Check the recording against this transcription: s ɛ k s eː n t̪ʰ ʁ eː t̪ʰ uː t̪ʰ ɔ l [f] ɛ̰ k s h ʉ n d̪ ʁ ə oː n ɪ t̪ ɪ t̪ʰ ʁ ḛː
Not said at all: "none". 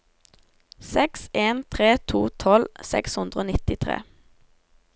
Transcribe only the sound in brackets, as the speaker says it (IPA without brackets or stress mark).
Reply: s